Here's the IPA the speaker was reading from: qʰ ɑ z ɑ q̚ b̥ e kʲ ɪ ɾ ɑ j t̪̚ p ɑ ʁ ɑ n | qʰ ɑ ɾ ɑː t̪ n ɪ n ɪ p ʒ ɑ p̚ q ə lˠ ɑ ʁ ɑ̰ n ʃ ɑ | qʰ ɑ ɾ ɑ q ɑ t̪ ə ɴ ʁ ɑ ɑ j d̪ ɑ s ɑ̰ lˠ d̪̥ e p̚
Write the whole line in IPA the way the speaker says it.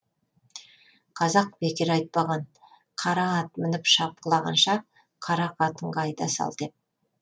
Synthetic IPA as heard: qʰ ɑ z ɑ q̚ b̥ e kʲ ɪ ɾ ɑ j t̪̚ p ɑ ʁ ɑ n | qʰ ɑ ɾ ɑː t̪ m ɪ n ɪ p ʃ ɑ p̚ q ə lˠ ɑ ʁ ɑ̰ n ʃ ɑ | qʰ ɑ ɾ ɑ q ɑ t̪ ə ɴ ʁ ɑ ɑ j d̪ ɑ s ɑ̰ lˠ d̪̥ e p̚